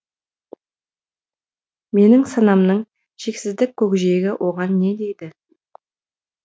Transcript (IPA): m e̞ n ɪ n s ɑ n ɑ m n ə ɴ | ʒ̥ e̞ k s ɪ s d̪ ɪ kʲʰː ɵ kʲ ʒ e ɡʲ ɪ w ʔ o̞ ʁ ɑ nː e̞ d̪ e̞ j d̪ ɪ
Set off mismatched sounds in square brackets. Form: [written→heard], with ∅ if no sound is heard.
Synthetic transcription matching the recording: m e̞ n ɪ [n→ŋ] s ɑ n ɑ m n ə ɴ | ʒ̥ e̞ k s ɪ [s→z] d̪ ɪ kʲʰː ɵ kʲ ʒ e ɡʲ ɪ w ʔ o̞ ʁ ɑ nː e̞ d̪ e̞ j d̪ ɪ